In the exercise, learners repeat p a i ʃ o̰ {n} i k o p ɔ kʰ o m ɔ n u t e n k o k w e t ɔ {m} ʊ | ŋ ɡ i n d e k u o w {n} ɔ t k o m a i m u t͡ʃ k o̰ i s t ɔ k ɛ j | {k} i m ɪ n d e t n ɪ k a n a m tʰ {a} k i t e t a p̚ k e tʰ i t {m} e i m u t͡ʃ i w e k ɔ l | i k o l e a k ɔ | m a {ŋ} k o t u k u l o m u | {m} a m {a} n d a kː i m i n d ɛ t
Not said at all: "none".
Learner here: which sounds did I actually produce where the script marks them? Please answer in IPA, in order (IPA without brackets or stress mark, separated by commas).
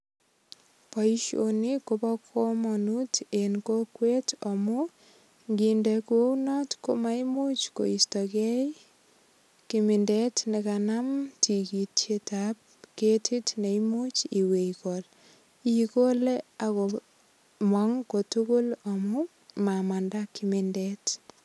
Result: n, m, n, k, i, n, ŋ, m, a